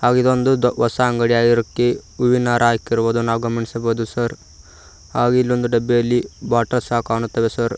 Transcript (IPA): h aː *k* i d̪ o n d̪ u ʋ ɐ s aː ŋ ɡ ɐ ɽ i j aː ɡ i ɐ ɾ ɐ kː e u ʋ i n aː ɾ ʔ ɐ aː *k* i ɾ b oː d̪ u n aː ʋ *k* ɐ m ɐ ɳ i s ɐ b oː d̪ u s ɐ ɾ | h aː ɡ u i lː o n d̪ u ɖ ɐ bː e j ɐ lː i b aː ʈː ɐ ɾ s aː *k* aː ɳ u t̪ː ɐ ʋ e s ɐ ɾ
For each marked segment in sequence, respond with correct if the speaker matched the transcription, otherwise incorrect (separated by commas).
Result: incorrect, correct, incorrect, correct